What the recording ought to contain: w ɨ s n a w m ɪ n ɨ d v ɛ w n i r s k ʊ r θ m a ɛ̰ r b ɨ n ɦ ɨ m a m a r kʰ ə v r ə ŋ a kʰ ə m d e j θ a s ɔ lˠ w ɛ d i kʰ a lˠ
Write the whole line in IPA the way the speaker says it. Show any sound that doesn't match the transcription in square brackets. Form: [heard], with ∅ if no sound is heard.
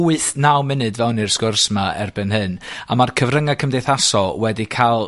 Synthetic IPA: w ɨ [θ] n a w m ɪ n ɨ d v ɛ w n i r s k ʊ r [s] m a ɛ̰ r b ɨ n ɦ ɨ [n] a m a r kʰ ə v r ə ŋ a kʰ ə m d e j θ a s ɔ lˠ w ɛ d i kʰ a lˠ

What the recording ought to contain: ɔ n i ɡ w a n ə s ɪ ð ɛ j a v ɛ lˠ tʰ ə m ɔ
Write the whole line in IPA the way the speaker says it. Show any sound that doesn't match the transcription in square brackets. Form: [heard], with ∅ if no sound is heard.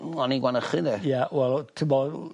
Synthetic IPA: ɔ n i ɡ w a n ə [χ] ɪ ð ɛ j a [w] ɛ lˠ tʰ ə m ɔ

